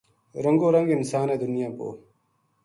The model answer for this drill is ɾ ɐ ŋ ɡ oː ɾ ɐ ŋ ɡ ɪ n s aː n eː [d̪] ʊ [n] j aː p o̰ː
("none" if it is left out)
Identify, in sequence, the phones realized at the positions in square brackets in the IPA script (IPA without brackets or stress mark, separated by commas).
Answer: d̪, n